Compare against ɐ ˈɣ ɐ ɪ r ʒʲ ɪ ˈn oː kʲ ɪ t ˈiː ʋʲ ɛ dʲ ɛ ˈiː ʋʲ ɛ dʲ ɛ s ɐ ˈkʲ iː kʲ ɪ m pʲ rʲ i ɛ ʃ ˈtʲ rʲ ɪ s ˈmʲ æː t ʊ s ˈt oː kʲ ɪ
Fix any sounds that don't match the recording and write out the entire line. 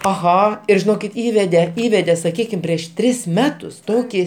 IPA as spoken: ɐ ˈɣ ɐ ɪ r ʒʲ ɪ ˈn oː kʲ ɪ t ˈiː ʋʲ ɛ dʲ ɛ ˈiː ʋʲ ɛ dʲ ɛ s ɐ ˈkʲ iː kʲ ɪ m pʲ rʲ i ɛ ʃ ˈtʲ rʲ ɪ s ˈmʲ æː t ʊ s ˈt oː kʲ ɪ